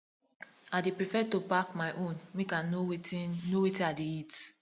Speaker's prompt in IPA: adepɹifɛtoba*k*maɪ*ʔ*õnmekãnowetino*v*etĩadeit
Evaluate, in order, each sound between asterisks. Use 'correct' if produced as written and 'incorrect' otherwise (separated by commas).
correct, correct, incorrect